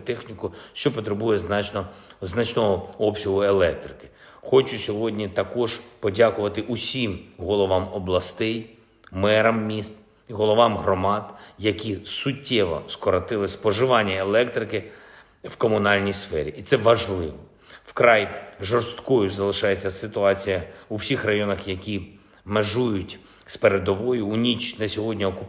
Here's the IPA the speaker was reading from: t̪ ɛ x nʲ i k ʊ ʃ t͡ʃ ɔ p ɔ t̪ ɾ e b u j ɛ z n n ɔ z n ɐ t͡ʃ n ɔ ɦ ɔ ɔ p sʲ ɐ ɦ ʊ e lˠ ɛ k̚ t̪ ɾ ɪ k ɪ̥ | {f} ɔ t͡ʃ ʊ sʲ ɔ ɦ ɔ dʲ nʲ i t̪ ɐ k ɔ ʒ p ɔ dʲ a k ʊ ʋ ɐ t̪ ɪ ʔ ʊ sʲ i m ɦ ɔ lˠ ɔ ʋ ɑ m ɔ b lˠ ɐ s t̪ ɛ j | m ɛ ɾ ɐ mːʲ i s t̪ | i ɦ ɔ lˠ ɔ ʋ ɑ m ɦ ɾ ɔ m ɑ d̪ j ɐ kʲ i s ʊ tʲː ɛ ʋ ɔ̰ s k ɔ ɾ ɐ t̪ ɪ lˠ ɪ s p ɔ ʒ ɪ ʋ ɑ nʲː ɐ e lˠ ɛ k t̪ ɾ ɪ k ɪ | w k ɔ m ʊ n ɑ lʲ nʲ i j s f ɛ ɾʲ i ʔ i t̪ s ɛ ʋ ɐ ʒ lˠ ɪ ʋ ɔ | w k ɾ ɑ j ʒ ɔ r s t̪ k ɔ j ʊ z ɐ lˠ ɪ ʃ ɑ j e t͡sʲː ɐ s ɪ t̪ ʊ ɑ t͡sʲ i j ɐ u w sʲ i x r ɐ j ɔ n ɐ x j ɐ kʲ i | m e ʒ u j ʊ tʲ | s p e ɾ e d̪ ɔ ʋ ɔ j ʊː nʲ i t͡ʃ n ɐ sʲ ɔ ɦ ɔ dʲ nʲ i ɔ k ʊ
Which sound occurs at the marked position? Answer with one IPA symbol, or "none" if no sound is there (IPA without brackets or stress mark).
x